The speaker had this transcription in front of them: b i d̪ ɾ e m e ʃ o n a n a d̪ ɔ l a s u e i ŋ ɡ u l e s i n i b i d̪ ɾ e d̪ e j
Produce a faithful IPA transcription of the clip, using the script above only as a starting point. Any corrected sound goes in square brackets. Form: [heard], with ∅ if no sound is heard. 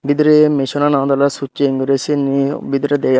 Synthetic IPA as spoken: b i d̪ ɾ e m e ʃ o n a n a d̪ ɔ l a s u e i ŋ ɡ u [ɾ] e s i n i b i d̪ ɾ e d̪ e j